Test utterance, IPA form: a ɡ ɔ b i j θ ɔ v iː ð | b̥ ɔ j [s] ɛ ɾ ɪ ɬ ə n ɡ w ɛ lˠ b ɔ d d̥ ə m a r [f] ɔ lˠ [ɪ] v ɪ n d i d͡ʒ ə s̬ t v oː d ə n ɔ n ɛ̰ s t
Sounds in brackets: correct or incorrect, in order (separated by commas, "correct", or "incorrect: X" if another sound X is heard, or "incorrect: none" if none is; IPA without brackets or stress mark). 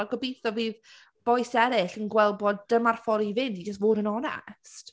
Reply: correct, correct, incorrect: i